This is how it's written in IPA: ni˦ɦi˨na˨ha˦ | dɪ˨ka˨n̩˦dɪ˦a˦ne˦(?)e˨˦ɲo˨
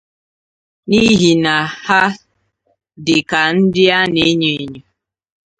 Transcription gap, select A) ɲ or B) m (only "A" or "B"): A